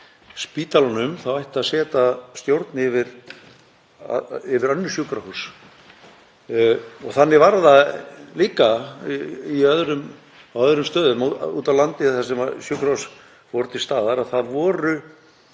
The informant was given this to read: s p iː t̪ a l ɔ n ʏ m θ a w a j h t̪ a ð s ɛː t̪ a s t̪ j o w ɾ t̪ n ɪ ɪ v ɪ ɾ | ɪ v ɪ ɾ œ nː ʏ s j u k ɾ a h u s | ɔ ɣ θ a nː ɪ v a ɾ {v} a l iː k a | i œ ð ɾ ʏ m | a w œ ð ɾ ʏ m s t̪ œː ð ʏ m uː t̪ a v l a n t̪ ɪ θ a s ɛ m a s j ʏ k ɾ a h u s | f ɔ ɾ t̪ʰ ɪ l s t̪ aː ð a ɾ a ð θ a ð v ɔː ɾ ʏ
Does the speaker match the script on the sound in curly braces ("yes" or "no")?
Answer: no